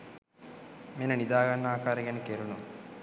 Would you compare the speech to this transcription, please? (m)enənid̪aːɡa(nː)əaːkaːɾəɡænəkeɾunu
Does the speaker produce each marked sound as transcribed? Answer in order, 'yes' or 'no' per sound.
yes, yes

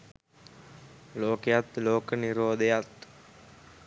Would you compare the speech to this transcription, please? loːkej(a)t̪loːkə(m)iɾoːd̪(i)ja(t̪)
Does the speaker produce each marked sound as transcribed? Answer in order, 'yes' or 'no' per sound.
yes, no, no, yes

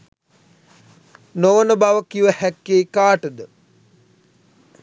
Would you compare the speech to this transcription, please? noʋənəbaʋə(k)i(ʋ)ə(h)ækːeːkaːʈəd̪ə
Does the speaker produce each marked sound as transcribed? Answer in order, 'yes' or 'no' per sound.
yes, yes, yes

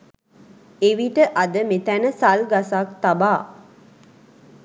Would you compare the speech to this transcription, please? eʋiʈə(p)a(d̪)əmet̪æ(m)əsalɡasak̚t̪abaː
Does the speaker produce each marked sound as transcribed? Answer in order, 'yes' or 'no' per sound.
no, yes, no

